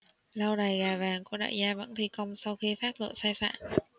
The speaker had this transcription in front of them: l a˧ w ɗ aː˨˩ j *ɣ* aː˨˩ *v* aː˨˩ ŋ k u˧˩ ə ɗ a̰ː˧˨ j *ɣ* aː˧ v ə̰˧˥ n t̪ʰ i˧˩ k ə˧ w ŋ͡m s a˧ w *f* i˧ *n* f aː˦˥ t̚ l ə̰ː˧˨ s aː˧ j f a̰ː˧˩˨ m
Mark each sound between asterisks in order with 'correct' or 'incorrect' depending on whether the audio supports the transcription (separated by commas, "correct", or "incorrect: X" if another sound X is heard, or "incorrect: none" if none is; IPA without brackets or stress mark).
correct, correct, incorrect: z, incorrect: x, incorrect: none